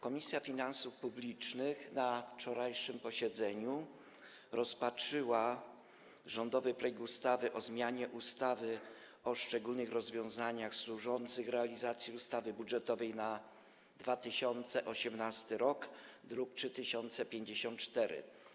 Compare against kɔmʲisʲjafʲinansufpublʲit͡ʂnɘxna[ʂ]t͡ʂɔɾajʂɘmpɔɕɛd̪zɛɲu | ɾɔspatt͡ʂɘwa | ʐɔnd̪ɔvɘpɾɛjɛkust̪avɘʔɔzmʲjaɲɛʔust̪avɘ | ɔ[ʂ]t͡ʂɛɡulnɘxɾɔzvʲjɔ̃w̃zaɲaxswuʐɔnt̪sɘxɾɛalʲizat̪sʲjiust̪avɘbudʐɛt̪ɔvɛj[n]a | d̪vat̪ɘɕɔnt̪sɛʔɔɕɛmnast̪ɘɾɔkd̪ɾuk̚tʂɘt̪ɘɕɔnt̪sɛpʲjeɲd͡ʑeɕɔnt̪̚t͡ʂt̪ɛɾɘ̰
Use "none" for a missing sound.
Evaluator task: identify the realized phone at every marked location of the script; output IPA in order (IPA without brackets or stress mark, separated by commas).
f, ʂ, n